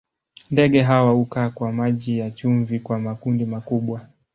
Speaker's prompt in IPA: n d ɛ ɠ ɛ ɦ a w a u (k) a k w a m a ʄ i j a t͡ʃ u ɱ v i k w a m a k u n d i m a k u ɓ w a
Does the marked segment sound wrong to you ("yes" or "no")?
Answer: no